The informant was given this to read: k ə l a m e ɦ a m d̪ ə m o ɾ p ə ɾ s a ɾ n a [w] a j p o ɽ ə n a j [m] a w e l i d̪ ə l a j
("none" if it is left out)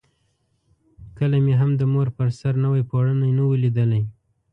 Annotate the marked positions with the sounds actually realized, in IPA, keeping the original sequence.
w, n

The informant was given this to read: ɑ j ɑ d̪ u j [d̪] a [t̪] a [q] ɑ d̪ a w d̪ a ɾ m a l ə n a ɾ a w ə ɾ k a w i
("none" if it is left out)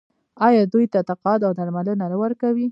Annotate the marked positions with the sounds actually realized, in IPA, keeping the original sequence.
t̪, t̪, q

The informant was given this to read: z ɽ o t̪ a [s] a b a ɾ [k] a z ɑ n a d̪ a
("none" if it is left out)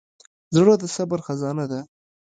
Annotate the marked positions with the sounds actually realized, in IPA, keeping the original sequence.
s, x

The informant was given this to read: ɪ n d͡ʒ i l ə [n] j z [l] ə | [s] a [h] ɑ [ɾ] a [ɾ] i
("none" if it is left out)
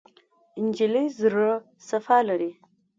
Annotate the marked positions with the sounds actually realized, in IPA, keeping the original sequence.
none, ɾ, s, f, l, ɾ

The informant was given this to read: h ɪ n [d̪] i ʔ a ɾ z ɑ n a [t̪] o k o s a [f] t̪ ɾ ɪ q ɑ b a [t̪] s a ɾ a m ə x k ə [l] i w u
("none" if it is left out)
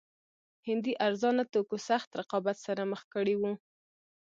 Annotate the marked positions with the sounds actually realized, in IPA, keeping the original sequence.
d̪, t̪, x, t̪, ɽ

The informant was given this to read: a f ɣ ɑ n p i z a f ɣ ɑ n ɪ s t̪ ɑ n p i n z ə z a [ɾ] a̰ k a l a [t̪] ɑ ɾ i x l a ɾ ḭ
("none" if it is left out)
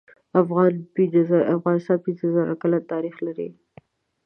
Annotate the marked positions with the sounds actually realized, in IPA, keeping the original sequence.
ɾ, t̪

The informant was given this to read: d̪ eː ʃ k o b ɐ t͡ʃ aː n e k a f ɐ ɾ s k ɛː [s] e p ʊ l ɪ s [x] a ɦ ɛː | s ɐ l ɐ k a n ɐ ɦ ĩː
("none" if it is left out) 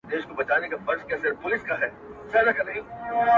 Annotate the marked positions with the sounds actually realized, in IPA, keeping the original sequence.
s, k

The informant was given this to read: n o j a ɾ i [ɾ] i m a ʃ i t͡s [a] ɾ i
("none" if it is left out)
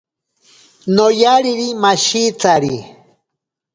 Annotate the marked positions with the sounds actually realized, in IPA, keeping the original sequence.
ɾ, a

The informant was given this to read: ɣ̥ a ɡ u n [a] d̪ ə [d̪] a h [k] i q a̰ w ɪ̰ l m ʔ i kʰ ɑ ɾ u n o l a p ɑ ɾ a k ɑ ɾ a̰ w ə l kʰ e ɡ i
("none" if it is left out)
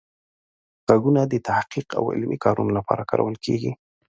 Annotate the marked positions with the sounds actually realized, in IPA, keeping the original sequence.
a, t̪, q

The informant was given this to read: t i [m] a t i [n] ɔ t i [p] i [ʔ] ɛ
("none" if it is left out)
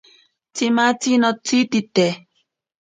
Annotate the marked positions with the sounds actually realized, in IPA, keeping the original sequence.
m, n, t, t

